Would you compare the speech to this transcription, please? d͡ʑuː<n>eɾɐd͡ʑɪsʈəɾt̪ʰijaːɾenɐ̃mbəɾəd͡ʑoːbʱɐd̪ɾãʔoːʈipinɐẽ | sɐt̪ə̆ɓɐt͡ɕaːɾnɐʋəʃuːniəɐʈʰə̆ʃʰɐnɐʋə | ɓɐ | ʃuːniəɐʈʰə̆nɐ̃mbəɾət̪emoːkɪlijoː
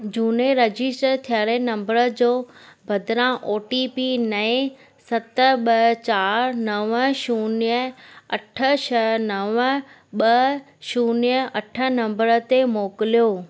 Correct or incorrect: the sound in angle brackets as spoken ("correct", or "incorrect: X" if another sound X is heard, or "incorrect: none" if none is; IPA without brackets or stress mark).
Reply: correct